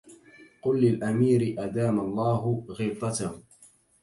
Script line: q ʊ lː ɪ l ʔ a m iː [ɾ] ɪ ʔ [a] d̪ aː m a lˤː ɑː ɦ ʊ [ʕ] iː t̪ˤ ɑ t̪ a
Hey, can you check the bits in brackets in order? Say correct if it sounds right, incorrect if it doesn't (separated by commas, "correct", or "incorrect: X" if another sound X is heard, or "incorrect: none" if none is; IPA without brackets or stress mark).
correct, correct, incorrect: ɣ